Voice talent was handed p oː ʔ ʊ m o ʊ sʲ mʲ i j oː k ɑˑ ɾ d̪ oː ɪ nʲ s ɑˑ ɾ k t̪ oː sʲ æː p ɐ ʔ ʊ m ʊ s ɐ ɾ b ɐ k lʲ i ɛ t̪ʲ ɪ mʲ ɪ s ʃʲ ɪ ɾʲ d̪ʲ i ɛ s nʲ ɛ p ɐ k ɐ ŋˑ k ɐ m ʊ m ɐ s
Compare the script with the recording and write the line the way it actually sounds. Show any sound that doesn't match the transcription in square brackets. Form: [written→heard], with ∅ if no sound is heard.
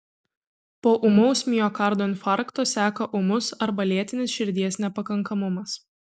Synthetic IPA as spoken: p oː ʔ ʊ m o ʊ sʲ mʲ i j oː k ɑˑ ɾ d̪ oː ɪ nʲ [s→f] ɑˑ ɾ k t̪ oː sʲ æː [p→k] ɐ ʔ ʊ m ʊ s ɐ ɾ b ɐ [k→∅] lʲ i ɛ t̪ʲ ɪ [mʲ→nʲ] ɪ s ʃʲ ɪ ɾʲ d̪ʲ i ɛ s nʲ ɛ p ɐ k ɐ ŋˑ k ɐ m ʊ m ɐ s